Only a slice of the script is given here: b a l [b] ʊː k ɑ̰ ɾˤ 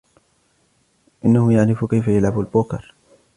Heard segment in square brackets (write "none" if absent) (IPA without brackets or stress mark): b